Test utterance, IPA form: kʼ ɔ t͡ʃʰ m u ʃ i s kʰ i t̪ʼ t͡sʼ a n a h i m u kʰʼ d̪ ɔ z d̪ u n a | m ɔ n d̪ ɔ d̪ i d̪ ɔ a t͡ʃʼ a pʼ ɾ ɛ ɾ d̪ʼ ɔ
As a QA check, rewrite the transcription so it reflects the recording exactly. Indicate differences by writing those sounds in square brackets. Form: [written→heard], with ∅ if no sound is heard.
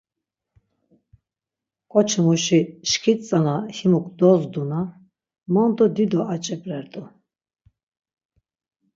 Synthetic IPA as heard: kʼ ɔ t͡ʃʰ m u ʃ i [s→ʃ] kʰ i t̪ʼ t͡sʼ a n a h i m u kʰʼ d̪ ɔ z d̪ u n a | m ɔ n d̪ ɔ d̪ i d̪ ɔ a t͡ʃʼ [a→ɛ] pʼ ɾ ɛ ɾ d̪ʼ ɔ

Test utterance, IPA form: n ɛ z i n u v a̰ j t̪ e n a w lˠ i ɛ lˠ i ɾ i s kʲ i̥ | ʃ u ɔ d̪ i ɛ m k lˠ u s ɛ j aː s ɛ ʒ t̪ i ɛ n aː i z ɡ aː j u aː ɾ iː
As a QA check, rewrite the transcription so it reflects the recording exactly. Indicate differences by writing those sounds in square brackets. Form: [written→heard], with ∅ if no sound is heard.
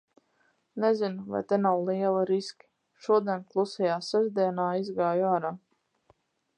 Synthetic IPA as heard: n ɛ z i n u v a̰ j t̪ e n a w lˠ i ɛ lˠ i ɾ i s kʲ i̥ | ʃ u ɔ d̪ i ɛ [m→n] k lˠ u s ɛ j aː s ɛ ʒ [t̪→d̪] i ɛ n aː i z ɡ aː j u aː ɾ [iː→aː]

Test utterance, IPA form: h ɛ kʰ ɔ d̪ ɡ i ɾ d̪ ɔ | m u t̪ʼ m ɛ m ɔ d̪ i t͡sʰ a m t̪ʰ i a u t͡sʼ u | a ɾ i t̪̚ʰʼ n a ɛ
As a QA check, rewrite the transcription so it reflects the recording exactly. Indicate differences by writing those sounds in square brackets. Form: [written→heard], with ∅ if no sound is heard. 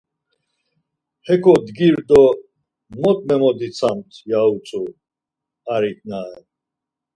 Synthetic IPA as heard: h ɛ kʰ ɔ d̪ ɡ i ɾ d̪ ɔ | m [u→ɔ] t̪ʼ m ɛ m ɔ d̪ i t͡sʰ a m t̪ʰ [i→j] a u t͡sʼ u | a ɾ i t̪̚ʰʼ n a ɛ

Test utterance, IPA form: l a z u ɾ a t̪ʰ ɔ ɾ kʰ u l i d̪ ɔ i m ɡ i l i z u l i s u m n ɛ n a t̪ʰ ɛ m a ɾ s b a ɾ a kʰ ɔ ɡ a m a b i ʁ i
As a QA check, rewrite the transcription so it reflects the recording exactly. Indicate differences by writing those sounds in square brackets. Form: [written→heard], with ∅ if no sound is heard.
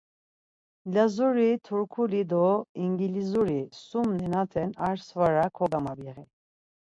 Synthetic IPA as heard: l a z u ɾ [a→i] t̪ʰ [ɔ→u] ɾ kʰ u l i d̪ ɔ i [m→ŋ] ɡ i l i z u [l→ɾ] i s u m n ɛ n a t̪ʰ ɛ [m→n] a ɾ s [b→v] a ɾ a kʰ ɔ ɡ a m a b i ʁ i

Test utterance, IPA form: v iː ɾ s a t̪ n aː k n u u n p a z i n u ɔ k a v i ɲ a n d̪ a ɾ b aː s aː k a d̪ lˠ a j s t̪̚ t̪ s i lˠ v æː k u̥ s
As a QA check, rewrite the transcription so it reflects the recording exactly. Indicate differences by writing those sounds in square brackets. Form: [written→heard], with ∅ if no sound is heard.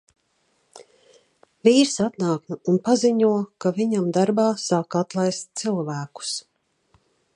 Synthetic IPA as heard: v iː ɾ s a t̪ n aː k n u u n p a z i [n→ɲ] u ɔ k a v i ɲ a [n→m] d̪ a ɾ b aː s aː k a [d̪→t̪] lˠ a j s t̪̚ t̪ s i lˠ v æː k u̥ s

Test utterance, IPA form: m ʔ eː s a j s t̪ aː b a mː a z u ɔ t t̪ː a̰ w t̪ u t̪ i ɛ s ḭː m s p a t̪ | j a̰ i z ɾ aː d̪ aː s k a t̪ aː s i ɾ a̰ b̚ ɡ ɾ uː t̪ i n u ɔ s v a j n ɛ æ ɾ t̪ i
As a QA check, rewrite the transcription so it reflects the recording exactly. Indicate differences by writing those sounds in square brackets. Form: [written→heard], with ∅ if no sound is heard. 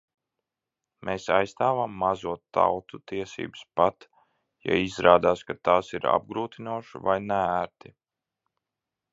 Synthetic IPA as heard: m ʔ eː s a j s t̪ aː [b→v] a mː a z u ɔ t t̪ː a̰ w t̪ u t̪ i ɛ s ḭː [m→b] s p a t̪ | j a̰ i z ɾ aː d̪ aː s k a t̪ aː s i ɾ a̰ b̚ ɡ ɾ uː t̪ i n u ɔ [s→ʃ] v a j n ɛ æ ɾ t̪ i

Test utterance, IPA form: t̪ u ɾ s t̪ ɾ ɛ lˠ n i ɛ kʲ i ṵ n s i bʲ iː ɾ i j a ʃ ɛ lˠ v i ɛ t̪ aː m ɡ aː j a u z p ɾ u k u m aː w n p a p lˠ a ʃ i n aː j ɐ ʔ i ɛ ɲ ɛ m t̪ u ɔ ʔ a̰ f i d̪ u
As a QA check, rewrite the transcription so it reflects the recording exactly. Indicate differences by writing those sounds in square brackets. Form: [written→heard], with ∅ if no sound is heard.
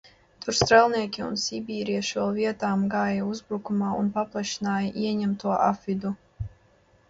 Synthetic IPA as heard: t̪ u ɾ s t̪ ɾ ɛ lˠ n i ɛ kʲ i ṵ n s i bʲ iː ɾ i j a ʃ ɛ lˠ v i ɛ t̪ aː m ɡ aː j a u z [p→b] ɾ u k u m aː [w→u] n p a p lˠ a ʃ i n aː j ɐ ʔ i ɛ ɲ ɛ m t̪ u ɔ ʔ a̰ f i d̪ u

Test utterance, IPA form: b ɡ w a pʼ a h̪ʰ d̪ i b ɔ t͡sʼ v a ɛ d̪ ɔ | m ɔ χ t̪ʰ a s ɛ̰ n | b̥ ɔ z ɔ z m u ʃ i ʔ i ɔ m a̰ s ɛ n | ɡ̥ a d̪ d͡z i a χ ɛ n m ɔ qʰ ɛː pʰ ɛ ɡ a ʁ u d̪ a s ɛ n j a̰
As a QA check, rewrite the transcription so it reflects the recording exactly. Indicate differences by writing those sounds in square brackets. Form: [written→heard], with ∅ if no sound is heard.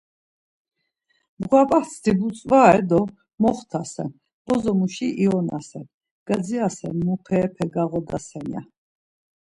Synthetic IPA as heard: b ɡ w a pʼ a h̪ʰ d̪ i b [ɔ→u] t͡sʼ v a ɛ d̪ ɔ | m ɔ χ t̪ʰ a s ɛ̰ n | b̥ ɔ z ɔ [z→∅] m u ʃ i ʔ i ɔ [m→n] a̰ s ɛ n | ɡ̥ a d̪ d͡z i a [χ→s] ɛ n m [ɔ→u] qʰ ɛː pʰ ɛ ɡ a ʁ [u→ɔ] d̪ a s ɛ n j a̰

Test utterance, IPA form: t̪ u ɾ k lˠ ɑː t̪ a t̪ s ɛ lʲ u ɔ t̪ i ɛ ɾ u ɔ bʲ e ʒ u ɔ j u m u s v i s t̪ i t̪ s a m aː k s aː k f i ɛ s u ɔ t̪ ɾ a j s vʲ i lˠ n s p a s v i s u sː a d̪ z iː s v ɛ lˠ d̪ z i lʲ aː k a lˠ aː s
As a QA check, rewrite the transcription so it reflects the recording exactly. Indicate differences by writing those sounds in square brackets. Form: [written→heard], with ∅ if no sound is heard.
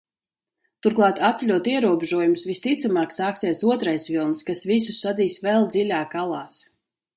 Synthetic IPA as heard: t̪ u ɾ k lˠ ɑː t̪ a t̪ s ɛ lʲ u ɔ t̪ i ɛ ɾ u ɔ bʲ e ʒ u ɔ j u m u s v i s t̪ i t̪ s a m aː k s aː k [f→s] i ɛ s u ɔ t̪ ɾ a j s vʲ i lˠ n s [p→k] a s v i s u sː a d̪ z iː s v ɛ lˠ d̪ z i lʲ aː k a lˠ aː s

